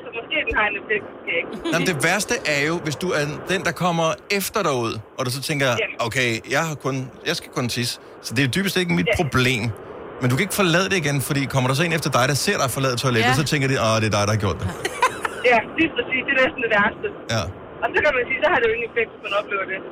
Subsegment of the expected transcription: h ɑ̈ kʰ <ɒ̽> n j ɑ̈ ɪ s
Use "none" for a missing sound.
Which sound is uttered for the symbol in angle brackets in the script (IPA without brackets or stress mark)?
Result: ɔ̽